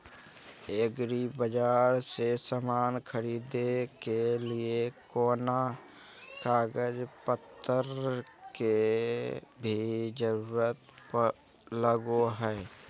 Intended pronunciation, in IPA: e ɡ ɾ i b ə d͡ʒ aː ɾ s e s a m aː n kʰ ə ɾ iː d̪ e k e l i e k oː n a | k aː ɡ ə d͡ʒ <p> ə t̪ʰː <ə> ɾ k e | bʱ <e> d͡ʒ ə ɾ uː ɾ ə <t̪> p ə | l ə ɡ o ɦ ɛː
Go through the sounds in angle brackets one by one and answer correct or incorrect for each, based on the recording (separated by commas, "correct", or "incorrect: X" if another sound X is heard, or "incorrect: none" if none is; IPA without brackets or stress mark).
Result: correct, correct, incorrect: i, correct